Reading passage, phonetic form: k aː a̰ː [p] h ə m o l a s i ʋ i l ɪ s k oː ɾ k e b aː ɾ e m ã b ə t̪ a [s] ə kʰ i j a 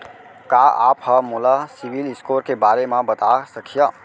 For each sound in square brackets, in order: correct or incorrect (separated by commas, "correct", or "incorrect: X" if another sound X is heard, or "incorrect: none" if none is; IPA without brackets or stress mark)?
correct, correct